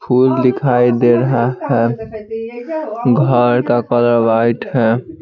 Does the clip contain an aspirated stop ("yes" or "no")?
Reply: yes